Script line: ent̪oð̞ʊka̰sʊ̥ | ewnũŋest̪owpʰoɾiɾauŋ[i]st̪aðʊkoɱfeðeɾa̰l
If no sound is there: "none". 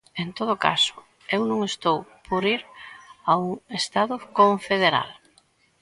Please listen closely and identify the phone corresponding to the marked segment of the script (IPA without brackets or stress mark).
e